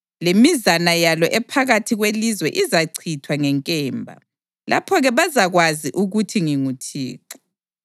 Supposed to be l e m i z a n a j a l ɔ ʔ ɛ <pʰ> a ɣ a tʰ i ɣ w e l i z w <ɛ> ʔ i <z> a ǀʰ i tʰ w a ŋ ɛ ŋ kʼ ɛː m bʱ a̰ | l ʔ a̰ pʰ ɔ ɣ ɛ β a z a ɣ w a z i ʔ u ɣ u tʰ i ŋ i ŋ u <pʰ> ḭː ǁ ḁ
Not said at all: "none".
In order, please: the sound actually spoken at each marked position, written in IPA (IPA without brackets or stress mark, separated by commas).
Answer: pʰ, ɛ, z, tʰ